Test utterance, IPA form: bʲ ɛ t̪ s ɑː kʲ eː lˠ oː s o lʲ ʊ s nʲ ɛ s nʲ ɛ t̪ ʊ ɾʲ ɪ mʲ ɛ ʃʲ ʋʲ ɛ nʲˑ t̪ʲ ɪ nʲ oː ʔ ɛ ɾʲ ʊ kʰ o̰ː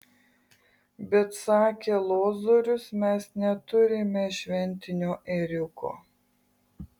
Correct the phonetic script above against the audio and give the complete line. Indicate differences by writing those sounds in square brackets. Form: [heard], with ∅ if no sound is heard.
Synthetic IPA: bʲ ɛ t̪ s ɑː kʲ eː lˠ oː [z] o [ɾʲ] ʊ s [mʲ] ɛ s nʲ ɛ t̪ ʊ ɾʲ ɪ mʲ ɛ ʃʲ ʋʲ ɛ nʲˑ t̪ʲ ɪ nʲ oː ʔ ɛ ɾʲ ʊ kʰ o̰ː

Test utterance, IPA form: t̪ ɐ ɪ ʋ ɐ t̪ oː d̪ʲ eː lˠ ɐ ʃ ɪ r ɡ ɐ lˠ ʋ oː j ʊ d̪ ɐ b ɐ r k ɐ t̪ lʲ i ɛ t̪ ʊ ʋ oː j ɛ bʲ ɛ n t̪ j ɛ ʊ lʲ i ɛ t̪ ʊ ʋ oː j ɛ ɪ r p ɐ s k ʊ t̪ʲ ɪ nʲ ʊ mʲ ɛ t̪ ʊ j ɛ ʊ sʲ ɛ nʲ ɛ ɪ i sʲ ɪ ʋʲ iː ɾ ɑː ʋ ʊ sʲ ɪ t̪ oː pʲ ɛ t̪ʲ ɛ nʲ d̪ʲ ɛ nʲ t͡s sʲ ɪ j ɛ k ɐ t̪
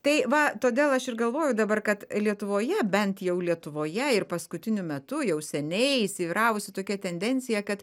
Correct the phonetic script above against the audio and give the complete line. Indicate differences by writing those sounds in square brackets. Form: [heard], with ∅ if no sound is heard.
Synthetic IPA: t̪ ɐ ɪ ʋ ɐ t̪ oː d̪ʲ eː lˠ ɐ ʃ ɪ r ɡ ɐ lˠ ʋ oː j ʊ d̪ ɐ b ɐ r k ɐ t̪ lʲ i ɛ t̪ ʊ ʋ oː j ɛ bʲ ɛ n t̪ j ɛ ʊ lʲ i ɛ t̪ ʊ ʋ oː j ɛ ɪ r p ɐ s k ʊ t̪ʲ ɪ nʲ ʊ mʲ ɛ t̪ ʊ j ɛ ʊ sʲ ɛ nʲ ɛ ɪ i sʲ ɪ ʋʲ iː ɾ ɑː ʋ ʊ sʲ ɪ t̪ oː [kʲ] ɛ t̪ʲ ɛ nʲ d̪ʲ ɛ nʲ t͡s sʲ ɪ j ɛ k ɐ t̪

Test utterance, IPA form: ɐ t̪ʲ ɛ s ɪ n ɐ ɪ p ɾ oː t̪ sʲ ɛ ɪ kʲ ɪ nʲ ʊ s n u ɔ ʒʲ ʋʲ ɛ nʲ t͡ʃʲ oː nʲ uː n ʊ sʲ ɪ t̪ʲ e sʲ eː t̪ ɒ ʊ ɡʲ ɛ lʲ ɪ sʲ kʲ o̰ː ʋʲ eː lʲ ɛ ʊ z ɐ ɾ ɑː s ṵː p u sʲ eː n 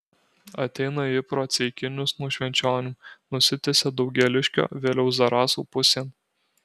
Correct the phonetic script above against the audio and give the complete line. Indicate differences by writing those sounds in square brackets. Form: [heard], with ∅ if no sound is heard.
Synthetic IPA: ɐ t̪ʲ ɛ [∅] ɪ n ɐ ɪ p ɾ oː t̪ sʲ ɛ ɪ kʲ ɪ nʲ ʊ s n u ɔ [ʃʲ] ʋʲ ɛ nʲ t͡ʃʲ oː nʲ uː n ʊ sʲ ɪ t̪ʲ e sʲ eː [d̪] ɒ ʊ ɡʲ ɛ lʲ ɪ [ʃʲ] kʲ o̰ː ʋʲ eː lʲ ɛ ʊ z ɐ ɾ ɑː s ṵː p [ʊ] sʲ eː n

